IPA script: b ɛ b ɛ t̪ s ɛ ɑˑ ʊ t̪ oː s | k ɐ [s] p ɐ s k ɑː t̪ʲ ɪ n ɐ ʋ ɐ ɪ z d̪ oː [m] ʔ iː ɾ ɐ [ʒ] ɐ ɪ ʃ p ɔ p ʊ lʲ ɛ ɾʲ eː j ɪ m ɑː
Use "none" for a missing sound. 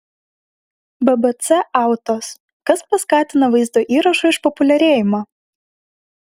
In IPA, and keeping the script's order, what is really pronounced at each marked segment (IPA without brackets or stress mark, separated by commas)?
s, none, ʃ